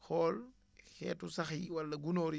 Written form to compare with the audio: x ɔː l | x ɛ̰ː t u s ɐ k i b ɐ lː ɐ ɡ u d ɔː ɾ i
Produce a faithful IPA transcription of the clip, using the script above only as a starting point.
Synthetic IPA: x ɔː l | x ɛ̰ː t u s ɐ x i w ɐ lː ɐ ɡ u n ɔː ɾ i

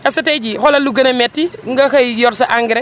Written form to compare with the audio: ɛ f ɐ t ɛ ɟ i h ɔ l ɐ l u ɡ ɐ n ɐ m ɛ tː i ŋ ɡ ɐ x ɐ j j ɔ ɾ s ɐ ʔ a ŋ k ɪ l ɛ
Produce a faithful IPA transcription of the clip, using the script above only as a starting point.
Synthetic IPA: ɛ s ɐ t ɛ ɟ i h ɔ l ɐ l u ɡ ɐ n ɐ m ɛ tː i ŋ ɡ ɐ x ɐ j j ɔ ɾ s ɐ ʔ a ŋ ɡ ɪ ɾ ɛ

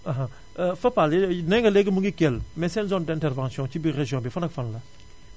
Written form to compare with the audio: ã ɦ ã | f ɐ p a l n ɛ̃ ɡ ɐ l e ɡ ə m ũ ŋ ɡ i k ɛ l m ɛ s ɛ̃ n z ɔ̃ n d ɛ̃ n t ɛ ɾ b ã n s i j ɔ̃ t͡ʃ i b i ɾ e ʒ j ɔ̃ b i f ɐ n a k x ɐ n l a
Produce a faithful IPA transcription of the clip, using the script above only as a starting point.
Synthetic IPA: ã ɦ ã | f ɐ p a l n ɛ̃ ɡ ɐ l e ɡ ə m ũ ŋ ɡ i k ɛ l m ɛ s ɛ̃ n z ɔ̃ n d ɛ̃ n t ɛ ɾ v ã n s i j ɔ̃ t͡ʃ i b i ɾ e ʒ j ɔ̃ b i f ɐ n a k f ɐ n l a

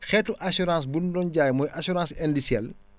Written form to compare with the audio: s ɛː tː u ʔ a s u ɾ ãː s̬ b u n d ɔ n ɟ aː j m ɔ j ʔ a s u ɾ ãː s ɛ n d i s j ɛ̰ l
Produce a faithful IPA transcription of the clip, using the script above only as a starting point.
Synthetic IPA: x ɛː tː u ʔ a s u ɾ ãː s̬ b u n d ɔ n ɟ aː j m ɔ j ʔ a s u ɾ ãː s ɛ n d i s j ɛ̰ l

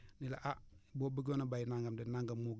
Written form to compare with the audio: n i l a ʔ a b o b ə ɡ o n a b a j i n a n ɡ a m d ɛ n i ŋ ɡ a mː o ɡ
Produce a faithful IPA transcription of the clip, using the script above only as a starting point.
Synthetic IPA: n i l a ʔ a b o b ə ɡ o n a b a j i n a ŋ ɡ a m d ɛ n a ŋ ɡ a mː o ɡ

